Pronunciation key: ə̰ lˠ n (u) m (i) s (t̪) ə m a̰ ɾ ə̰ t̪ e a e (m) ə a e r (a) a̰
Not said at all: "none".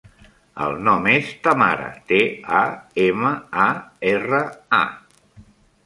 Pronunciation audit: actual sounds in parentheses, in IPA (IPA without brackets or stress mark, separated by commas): ɔ, e, t̪, m, ə